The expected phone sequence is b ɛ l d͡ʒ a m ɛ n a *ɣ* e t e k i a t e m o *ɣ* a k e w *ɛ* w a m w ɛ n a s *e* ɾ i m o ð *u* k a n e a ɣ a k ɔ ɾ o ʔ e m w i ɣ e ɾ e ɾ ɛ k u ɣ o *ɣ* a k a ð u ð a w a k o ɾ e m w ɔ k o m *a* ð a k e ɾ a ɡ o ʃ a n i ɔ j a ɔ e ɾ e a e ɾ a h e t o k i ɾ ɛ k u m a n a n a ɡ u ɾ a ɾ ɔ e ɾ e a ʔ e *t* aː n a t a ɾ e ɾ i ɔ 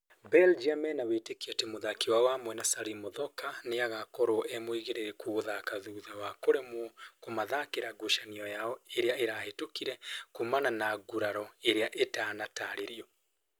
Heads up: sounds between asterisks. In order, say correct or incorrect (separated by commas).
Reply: incorrect, incorrect, incorrect, incorrect, incorrect, incorrect, correct, correct